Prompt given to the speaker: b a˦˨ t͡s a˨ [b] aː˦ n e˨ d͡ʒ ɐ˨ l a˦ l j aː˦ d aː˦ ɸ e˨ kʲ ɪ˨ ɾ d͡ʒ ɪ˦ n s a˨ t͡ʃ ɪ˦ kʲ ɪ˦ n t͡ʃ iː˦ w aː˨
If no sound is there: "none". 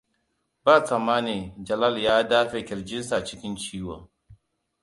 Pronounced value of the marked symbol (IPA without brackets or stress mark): m